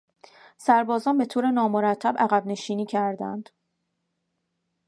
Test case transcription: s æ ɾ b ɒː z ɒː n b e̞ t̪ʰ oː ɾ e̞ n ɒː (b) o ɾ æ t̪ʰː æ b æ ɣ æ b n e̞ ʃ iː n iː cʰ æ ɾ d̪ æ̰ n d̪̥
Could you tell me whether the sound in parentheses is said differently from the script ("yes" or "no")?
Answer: yes